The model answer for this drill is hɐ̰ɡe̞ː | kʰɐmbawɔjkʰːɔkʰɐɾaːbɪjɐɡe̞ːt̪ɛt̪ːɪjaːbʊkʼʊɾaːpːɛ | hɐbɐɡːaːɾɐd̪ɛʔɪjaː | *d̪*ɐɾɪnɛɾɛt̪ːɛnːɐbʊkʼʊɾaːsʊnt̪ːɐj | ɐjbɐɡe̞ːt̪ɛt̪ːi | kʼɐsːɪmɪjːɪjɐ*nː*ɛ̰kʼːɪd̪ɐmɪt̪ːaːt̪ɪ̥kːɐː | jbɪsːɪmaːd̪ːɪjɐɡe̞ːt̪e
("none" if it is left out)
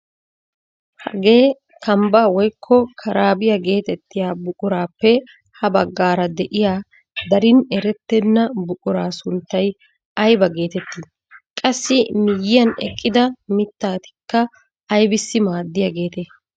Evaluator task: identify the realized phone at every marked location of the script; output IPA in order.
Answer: d̪, n

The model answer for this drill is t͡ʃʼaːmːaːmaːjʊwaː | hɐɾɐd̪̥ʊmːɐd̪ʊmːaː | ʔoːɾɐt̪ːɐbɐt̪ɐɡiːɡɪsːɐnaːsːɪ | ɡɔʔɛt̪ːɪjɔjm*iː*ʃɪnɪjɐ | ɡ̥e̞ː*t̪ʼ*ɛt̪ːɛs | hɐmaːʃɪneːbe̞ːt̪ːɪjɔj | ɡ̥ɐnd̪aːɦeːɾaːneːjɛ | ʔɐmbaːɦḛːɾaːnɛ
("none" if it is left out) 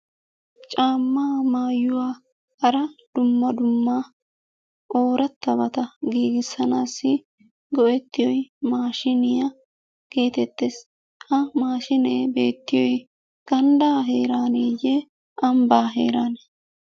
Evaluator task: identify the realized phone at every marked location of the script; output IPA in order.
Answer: aː, t̪

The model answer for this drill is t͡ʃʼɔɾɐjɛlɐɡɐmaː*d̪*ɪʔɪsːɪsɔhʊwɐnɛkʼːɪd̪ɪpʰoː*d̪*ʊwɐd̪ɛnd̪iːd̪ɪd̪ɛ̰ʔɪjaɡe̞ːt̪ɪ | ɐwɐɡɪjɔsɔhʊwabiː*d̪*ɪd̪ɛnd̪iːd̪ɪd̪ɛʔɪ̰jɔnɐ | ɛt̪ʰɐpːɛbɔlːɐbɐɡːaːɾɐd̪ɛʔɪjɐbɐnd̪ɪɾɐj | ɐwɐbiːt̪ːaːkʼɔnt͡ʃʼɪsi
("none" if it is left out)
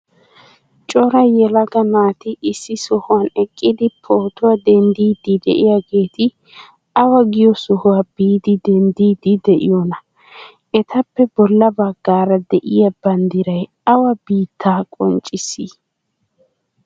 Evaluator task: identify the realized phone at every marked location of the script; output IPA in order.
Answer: t̪, t̪, d̪

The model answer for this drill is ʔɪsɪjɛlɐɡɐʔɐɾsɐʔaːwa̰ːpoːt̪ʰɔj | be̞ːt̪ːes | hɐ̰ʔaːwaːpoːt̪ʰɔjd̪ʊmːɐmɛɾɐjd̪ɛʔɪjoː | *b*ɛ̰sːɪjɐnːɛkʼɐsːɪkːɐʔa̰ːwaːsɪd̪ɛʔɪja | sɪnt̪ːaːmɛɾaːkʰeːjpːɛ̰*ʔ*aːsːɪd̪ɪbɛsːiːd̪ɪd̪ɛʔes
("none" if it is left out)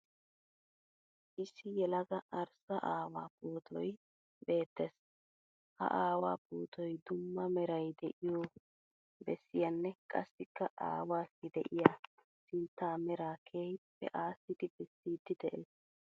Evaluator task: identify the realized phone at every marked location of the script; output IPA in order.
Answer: b, ʔ

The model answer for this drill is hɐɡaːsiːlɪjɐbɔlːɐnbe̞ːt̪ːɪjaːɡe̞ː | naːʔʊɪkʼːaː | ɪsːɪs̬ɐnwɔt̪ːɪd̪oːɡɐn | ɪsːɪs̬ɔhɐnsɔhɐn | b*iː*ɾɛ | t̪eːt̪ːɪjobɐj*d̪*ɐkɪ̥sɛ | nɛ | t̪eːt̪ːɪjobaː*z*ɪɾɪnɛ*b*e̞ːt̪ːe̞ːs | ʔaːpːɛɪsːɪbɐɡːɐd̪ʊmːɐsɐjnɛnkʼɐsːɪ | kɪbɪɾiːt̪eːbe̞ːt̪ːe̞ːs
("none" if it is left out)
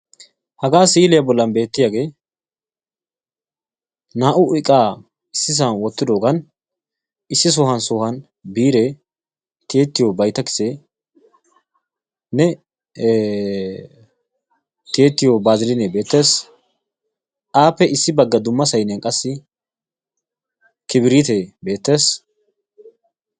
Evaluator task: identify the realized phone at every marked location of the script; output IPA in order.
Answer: iː, t̪, z, b

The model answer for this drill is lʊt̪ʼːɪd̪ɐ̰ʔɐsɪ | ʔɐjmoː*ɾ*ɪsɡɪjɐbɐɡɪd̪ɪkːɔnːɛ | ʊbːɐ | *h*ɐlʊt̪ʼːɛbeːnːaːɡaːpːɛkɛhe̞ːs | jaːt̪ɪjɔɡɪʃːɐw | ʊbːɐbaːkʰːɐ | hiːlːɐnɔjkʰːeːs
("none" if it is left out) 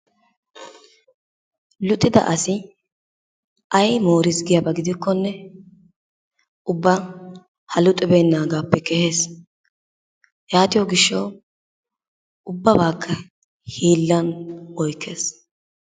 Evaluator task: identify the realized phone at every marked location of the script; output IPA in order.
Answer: ɾ, h

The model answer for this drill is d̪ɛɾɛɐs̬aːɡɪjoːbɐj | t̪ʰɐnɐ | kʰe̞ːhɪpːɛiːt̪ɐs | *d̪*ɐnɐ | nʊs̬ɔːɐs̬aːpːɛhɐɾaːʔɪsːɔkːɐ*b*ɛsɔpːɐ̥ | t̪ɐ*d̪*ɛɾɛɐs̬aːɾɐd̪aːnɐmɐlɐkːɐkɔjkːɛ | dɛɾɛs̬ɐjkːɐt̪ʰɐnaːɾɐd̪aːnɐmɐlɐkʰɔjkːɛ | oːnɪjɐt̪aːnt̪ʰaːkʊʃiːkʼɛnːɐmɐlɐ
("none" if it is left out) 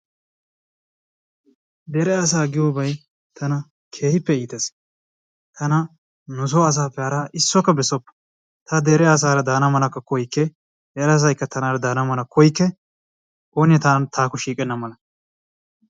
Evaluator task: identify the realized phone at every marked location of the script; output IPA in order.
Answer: t̪, b, d̪

